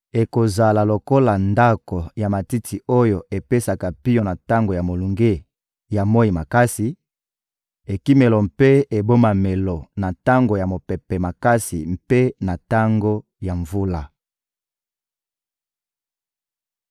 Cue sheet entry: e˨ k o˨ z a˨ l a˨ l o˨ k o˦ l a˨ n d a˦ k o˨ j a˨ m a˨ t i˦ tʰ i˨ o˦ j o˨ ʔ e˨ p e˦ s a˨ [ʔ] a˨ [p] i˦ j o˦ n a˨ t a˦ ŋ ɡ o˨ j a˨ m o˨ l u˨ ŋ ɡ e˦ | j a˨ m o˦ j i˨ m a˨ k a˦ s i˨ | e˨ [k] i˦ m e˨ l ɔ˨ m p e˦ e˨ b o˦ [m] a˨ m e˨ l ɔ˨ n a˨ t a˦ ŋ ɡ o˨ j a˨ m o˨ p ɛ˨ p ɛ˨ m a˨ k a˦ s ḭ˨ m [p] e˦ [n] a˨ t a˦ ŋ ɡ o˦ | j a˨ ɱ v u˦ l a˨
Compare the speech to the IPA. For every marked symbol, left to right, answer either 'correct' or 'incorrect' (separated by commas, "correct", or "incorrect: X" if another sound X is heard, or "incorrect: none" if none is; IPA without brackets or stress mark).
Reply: incorrect: k, correct, correct, correct, correct, correct